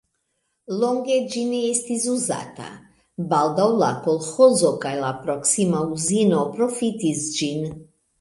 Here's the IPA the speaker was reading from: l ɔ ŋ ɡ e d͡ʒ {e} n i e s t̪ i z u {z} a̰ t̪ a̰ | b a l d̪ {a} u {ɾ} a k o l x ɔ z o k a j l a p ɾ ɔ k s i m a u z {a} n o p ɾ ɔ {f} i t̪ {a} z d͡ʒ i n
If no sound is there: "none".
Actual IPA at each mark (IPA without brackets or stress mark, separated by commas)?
i, z, a, l, i, f, i